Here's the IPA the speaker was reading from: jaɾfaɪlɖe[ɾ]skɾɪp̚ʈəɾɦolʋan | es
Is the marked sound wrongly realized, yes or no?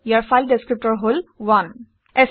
yes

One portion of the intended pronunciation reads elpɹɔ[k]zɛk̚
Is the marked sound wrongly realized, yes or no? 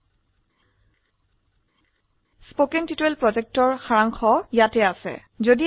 yes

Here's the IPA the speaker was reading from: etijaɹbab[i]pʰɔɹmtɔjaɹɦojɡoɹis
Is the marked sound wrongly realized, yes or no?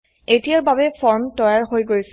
yes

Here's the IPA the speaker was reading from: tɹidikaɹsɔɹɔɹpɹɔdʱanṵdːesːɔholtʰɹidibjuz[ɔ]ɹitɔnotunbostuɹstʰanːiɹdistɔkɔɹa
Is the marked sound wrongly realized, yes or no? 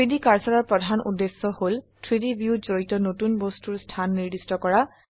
yes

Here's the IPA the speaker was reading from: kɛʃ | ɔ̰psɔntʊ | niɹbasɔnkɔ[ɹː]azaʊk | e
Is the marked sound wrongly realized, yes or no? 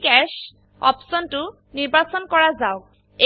yes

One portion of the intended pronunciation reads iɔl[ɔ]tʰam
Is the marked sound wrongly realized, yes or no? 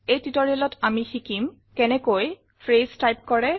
no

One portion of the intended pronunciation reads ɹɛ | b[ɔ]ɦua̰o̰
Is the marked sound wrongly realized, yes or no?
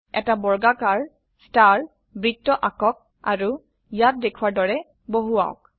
yes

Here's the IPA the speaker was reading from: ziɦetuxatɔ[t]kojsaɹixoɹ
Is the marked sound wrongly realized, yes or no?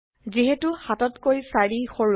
no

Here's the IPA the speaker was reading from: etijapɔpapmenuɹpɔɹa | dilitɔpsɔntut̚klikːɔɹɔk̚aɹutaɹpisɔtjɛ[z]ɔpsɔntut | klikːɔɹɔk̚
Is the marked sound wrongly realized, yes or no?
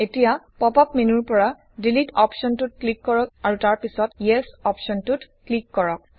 yes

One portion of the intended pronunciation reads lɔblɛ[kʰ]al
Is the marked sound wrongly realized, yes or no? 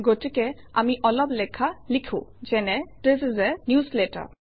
no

